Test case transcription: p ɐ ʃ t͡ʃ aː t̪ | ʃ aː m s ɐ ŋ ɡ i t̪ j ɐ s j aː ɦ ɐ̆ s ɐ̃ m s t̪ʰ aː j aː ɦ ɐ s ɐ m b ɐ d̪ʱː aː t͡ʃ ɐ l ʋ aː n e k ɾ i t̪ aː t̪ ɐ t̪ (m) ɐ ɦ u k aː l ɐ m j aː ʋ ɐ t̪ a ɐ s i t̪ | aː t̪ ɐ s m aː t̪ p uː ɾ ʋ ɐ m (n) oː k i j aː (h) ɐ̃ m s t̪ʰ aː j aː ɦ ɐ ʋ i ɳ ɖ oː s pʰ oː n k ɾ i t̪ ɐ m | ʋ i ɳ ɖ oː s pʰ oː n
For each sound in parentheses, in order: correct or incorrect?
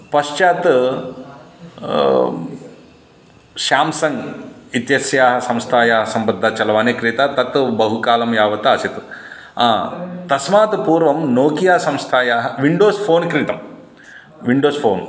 incorrect: b, correct, incorrect: s

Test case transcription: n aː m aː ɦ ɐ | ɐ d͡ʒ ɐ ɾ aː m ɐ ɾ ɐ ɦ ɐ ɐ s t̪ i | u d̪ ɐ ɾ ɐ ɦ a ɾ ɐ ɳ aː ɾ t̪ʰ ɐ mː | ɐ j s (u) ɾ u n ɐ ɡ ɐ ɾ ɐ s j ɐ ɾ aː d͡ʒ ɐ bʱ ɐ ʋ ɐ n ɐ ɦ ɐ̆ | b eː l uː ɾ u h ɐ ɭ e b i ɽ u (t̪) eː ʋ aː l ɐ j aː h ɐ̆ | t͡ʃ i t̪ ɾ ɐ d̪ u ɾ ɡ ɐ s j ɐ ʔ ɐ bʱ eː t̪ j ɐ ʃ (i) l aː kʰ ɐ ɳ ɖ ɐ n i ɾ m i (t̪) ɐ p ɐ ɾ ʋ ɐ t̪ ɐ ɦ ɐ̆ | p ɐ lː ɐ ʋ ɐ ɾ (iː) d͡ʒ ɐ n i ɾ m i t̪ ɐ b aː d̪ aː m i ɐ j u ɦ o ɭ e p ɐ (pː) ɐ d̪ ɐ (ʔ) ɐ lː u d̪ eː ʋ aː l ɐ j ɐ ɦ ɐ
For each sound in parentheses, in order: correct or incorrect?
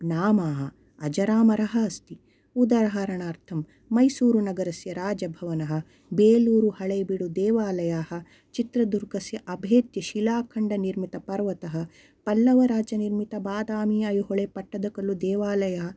incorrect: uː, incorrect: d̪, correct, correct, incorrect: aː, incorrect: ʈː, incorrect: k

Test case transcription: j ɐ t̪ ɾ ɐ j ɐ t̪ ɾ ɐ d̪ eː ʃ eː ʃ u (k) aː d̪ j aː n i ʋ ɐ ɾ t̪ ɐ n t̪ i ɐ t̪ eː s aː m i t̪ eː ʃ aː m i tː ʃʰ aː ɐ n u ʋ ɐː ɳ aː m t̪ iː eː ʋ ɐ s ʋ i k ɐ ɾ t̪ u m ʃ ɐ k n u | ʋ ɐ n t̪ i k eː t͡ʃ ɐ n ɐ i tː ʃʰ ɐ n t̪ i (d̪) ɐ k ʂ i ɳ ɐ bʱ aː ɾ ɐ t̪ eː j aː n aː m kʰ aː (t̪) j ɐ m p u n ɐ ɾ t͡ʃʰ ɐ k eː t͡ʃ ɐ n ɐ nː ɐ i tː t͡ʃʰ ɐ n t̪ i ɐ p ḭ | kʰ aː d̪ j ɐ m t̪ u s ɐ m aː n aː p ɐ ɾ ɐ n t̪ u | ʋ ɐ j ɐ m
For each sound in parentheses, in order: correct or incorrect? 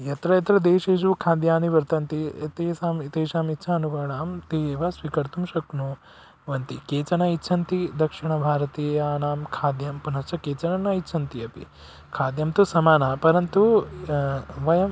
incorrect: kʰ, correct, incorrect: d̪

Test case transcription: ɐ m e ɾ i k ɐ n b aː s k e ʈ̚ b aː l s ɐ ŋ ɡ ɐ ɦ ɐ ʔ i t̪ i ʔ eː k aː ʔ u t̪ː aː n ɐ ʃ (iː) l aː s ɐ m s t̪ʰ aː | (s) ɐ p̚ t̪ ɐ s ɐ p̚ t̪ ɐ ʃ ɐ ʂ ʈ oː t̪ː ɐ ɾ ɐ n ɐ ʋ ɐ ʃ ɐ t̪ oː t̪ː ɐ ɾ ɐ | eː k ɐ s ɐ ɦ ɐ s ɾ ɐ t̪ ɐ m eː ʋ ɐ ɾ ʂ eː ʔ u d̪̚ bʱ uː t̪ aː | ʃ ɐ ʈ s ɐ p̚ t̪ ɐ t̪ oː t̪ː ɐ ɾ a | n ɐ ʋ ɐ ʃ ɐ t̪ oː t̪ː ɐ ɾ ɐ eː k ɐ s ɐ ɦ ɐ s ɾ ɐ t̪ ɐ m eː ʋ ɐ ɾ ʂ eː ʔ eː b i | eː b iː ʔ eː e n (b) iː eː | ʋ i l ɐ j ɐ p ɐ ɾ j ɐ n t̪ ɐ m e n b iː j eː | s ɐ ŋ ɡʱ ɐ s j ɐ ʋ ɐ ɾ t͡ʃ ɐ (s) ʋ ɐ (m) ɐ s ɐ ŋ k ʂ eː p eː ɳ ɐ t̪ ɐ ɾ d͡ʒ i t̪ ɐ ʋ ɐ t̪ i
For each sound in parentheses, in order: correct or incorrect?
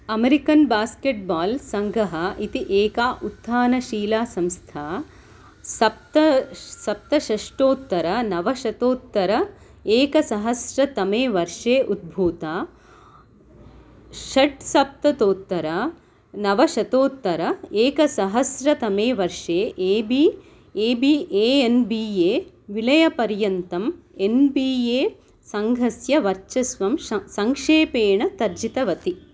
correct, correct, correct, correct, correct

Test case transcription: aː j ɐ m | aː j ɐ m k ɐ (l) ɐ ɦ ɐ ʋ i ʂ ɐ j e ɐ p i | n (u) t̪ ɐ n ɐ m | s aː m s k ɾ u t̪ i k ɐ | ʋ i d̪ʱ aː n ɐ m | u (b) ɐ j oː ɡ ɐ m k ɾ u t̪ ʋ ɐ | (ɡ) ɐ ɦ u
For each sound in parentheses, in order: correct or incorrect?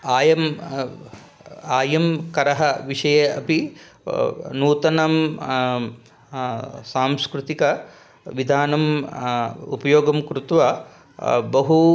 incorrect: ɾ, incorrect: uː, incorrect: p, incorrect: b

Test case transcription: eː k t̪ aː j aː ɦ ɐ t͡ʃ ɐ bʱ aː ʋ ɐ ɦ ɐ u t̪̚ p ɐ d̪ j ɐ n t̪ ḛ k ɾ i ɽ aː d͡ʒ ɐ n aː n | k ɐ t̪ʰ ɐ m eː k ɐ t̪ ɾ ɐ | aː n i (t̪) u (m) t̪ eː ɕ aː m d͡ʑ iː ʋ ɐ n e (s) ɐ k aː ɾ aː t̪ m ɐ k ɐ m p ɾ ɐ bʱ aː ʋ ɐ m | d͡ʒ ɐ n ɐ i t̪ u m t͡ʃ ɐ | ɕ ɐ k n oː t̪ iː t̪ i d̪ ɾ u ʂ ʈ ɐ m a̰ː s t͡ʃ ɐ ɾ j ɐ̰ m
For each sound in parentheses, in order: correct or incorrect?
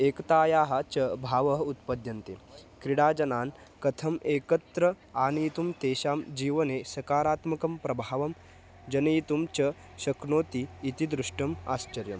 correct, correct, correct

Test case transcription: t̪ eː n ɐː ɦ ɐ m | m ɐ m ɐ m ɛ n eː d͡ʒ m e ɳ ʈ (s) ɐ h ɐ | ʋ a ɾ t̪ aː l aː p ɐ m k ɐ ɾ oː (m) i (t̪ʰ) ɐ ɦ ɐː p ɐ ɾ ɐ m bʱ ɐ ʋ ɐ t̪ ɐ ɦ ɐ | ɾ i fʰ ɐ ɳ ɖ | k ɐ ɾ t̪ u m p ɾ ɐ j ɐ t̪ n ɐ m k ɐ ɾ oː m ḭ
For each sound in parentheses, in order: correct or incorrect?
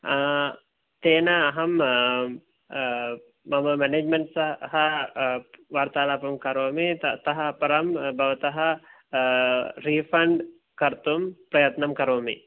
correct, correct, incorrect: t̪

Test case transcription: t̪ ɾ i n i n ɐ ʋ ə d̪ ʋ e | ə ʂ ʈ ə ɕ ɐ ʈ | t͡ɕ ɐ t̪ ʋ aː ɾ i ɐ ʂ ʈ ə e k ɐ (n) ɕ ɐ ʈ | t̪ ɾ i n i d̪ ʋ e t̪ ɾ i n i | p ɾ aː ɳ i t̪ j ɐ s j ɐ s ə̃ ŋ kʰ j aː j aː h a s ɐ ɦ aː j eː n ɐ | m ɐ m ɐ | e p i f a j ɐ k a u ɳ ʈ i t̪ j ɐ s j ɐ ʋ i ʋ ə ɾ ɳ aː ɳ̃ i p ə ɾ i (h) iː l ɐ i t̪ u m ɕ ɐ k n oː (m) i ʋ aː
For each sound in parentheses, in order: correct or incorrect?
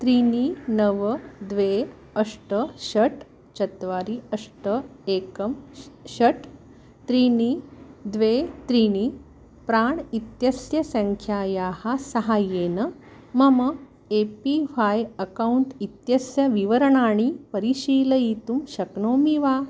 incorrect: m, incorrect: ɕ, correct

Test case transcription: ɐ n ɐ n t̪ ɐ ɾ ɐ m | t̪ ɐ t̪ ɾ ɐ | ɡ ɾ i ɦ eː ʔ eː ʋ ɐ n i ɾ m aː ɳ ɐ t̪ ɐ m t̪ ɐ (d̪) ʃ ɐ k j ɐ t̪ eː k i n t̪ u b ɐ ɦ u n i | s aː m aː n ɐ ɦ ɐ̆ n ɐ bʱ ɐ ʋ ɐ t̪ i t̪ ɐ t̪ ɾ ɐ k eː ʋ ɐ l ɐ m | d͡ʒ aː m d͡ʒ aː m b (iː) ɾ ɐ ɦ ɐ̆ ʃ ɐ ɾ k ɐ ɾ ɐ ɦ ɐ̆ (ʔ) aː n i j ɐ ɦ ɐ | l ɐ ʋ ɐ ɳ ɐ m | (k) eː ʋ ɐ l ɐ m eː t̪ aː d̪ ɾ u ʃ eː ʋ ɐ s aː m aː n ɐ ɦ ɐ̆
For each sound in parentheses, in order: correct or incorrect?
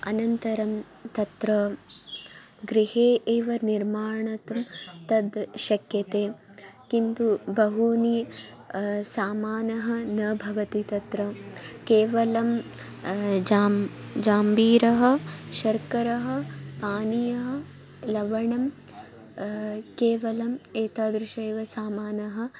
correct, correct, incorrect: p, correct

